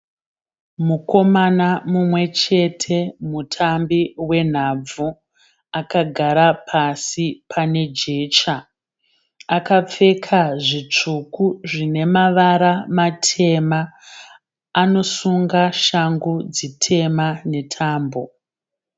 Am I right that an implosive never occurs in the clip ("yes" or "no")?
yes